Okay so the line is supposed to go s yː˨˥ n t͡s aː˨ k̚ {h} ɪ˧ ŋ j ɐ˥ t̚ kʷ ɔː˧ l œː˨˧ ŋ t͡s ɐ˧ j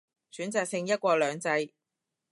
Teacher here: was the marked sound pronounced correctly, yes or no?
no